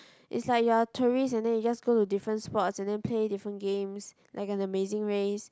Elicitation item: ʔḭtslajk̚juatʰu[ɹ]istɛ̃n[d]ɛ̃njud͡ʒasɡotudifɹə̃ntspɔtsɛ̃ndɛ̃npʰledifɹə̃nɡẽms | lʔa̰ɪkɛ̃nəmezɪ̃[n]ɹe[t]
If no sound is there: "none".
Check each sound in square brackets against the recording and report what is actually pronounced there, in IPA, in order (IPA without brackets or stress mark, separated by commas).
ɹ, d, ŋ, s